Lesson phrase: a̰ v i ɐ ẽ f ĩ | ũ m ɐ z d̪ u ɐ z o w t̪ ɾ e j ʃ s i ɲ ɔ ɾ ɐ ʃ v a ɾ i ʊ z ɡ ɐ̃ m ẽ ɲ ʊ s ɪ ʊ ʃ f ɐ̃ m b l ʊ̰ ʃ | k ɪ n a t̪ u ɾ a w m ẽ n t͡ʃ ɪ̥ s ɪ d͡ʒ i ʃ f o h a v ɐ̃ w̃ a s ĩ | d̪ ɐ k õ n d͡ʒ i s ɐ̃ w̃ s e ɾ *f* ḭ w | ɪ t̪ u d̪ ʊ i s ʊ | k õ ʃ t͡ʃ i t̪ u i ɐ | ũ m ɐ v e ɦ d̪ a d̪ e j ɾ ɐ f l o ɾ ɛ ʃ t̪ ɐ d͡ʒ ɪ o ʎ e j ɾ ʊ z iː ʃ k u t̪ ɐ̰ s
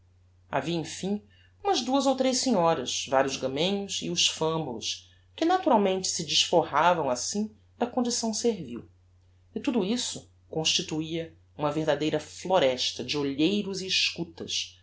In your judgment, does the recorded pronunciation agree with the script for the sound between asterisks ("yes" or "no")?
no